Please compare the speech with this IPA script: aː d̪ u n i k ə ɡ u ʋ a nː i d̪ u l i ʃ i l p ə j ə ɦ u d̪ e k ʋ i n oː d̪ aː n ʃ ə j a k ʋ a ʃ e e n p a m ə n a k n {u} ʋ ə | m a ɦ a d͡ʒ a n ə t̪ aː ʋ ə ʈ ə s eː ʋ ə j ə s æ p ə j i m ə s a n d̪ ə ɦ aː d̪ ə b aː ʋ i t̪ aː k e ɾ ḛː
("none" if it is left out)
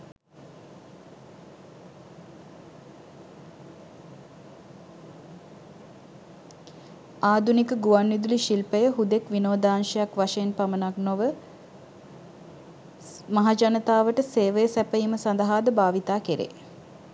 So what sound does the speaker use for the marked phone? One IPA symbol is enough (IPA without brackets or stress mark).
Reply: o